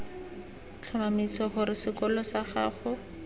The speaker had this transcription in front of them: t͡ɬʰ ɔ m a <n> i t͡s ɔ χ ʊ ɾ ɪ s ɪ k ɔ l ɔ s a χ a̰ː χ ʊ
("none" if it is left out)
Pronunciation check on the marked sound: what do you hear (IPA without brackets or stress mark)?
m